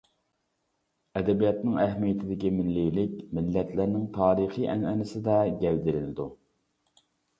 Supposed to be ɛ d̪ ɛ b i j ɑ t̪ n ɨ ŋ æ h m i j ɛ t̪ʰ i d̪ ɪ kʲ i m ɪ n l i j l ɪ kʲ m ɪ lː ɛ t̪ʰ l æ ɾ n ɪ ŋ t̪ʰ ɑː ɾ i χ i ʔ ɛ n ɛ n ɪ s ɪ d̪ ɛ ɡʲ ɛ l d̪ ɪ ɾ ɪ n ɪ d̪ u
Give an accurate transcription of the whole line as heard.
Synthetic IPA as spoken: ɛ d̪ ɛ b i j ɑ t̪ n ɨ ŋ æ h m i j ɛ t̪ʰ ɪ d̪ ɪ kʲ i m ɪ n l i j l ɪ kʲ m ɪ lː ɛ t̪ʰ l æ ɾ n ɪ ŋ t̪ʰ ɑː ɾ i χ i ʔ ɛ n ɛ n ɪ s ɪ d̪ ɛ ɡʲ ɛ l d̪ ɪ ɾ ɪ n ɪ d̪ u